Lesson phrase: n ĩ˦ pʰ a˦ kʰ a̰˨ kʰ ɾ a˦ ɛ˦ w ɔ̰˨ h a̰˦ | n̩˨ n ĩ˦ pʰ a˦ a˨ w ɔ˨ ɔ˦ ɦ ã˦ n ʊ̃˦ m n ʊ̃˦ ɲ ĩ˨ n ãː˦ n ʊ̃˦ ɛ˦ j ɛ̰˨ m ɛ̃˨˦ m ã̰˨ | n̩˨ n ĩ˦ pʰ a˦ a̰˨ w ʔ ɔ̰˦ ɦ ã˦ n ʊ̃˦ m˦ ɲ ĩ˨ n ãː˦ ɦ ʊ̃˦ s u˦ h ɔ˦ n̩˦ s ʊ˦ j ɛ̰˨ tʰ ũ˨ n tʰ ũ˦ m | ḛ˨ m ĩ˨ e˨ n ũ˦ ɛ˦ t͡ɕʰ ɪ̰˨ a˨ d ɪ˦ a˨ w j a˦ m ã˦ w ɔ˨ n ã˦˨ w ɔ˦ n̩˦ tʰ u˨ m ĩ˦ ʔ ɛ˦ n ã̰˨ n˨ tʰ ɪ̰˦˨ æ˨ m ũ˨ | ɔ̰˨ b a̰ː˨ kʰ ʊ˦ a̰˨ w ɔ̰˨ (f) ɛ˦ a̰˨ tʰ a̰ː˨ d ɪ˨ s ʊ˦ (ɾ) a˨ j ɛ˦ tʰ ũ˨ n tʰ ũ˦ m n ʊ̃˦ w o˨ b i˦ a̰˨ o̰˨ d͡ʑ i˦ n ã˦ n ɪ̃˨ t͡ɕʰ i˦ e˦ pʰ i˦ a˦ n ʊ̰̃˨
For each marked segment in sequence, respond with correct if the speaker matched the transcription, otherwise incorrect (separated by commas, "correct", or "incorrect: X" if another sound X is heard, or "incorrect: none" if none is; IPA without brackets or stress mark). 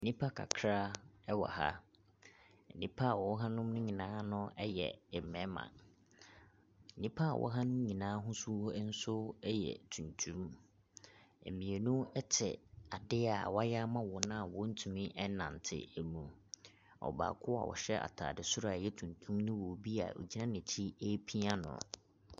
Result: incorrect: ɕ, correct